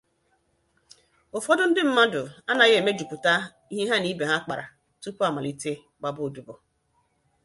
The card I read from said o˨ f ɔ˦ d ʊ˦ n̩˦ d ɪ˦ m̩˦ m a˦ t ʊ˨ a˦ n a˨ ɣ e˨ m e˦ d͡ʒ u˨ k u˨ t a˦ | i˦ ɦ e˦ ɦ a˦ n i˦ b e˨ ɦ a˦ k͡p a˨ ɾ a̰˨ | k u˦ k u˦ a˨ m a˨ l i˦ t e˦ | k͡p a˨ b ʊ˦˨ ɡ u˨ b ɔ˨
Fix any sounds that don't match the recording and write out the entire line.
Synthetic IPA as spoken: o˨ f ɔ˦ d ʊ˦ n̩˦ d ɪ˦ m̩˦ m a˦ d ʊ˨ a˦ n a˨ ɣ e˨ m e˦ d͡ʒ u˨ k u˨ t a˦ | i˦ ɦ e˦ ɦ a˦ n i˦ b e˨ ɦ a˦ k͡p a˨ ɾ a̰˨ | t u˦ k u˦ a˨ m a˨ l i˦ t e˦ | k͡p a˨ b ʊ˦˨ d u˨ b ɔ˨